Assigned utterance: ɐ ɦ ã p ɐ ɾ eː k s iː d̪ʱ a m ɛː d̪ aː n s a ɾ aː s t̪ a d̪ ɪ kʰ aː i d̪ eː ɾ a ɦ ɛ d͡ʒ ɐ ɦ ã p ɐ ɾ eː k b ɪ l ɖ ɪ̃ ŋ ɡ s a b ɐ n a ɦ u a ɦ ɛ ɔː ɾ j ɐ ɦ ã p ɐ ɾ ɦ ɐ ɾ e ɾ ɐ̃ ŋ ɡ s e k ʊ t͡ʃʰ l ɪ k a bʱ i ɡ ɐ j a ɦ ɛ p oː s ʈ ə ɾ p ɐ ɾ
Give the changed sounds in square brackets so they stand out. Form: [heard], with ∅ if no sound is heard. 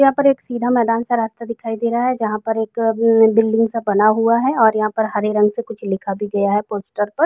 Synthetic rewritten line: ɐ ɦ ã p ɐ ɾ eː k s iː d̪ʱ a m ɛː d̪ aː n s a ɾ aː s t̪ a d̪ ɪ kʰ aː i d̪ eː ɾ a ɦ ɛ d͡ʒ ɐ ɦ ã p ɐ ɾ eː k b ɪ l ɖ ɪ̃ ŋ ɡ s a b ɐ n a ɦ u a ɦ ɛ ɔː ɾ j ɐ ɦ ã p ɐ ɾ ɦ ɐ ɾ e ɾ ɐ̃ ŋ ɡ s e k ʊ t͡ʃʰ l ɪ [kʰ] a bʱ i ɡ ɐ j a ɦ ɛ p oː s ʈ ə ɾ p ɐ ɾ